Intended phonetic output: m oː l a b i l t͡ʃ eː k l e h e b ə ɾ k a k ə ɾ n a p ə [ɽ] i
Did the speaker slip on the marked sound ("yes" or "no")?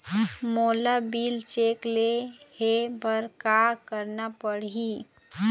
no